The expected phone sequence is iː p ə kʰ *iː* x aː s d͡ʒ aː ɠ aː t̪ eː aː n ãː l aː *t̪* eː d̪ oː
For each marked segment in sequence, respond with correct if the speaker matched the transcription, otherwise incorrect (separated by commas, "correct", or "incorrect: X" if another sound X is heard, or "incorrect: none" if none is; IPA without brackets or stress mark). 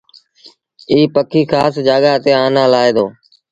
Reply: correct, incorrect: none